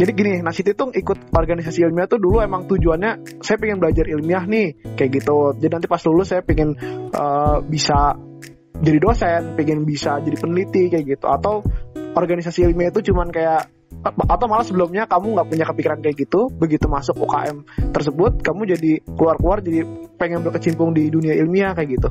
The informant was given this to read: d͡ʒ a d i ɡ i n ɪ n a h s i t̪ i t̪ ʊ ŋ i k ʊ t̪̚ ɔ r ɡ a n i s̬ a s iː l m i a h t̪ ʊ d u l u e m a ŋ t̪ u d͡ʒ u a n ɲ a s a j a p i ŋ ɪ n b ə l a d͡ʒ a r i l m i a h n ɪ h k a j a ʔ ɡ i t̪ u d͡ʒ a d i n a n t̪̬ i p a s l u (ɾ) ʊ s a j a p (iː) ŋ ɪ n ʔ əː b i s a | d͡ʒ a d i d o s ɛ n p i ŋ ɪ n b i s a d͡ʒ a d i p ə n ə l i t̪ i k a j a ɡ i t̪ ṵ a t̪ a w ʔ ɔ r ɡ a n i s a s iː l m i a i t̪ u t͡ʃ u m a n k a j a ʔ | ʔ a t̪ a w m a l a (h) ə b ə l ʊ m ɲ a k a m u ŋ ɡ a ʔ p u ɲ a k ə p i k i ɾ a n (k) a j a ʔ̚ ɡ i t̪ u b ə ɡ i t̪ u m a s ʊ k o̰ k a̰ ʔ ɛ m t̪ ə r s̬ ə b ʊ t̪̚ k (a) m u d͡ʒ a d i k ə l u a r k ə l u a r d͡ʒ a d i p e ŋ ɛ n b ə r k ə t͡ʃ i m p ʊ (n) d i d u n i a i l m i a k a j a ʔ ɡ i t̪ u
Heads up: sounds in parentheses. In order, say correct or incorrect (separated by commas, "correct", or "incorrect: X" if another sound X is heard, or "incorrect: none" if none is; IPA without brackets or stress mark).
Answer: incorrect: l, incorrect: i, incorrect: s, correct, correct, incorrect: ŋ